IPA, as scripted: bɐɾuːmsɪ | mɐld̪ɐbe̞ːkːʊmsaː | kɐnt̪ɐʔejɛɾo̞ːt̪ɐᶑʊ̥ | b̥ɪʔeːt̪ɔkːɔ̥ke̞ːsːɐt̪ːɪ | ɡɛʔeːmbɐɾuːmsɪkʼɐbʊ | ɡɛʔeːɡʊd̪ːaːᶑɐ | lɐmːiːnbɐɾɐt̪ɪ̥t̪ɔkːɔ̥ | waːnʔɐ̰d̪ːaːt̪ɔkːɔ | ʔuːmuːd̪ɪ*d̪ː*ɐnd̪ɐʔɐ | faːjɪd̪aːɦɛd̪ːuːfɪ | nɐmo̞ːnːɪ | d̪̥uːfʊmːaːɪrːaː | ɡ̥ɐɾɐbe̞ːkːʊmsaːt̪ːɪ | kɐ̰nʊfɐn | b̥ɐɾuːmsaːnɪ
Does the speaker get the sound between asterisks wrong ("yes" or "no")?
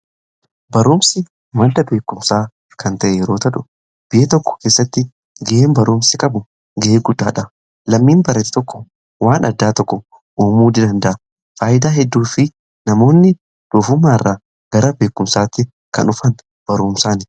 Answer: yes